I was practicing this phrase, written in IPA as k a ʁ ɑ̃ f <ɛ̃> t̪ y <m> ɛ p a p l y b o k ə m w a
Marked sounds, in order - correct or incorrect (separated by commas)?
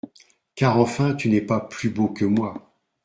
correct, incorrect